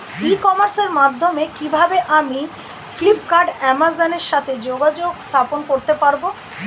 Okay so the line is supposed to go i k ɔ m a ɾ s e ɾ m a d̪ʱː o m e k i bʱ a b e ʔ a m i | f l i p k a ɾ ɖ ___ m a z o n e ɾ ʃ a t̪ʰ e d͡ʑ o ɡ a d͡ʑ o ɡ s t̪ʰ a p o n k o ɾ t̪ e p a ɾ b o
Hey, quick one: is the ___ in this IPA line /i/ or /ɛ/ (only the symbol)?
ɛ